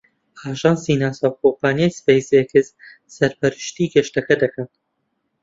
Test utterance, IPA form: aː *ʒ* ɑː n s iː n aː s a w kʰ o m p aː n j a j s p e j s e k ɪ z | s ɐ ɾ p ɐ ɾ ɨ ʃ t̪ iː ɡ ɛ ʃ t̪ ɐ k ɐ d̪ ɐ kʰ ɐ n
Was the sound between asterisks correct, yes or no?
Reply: yes